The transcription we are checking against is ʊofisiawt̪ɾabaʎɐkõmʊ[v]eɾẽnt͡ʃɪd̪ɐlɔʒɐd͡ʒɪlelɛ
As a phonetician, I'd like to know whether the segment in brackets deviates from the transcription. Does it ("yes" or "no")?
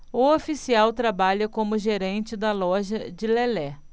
yes